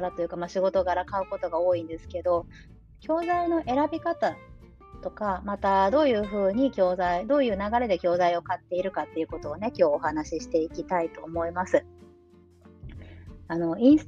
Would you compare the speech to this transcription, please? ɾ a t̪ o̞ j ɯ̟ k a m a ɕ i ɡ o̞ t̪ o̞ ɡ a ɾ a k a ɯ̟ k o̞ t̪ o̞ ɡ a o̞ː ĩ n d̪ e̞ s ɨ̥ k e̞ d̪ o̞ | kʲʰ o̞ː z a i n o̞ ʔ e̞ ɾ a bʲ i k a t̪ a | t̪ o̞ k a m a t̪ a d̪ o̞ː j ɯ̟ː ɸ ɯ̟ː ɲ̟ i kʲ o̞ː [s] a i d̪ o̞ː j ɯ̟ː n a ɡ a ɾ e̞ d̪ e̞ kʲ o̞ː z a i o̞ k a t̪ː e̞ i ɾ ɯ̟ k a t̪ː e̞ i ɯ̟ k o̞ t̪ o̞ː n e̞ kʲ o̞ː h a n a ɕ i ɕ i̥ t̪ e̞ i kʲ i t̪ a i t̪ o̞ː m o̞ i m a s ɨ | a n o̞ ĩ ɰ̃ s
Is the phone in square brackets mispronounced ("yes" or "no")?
yes